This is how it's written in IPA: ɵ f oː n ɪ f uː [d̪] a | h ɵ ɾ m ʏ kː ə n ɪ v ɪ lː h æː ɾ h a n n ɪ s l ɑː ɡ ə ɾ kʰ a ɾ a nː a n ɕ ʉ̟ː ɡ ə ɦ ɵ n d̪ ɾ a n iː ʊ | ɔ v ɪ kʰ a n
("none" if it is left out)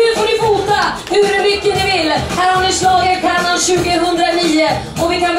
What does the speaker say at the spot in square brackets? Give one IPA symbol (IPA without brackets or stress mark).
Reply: t̪